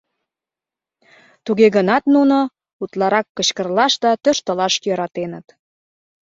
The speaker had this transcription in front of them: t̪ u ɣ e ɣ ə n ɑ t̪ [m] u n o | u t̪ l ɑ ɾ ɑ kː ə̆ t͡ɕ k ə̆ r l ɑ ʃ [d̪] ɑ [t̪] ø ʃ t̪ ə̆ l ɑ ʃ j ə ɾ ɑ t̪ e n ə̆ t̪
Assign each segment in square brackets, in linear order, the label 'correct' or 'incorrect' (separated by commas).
incorrect, correct, correct